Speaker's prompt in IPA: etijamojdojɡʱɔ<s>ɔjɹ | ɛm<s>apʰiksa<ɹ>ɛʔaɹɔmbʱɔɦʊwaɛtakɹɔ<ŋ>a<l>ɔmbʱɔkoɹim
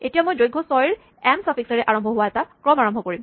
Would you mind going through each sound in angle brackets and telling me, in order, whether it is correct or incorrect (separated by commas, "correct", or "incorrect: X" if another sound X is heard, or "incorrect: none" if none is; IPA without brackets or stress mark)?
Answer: correct, correct, correct, incorrect: m, incorrect: ɹ